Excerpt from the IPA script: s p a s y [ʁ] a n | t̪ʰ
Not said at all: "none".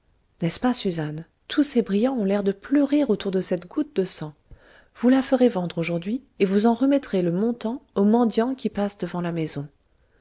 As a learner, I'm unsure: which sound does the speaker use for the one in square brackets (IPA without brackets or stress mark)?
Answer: z